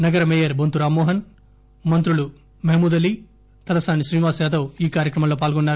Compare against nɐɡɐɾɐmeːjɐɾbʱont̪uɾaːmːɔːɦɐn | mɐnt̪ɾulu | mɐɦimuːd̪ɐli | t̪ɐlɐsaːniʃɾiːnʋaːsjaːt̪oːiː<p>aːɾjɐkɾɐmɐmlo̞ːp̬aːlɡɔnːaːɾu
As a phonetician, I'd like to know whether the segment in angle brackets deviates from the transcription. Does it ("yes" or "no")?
yes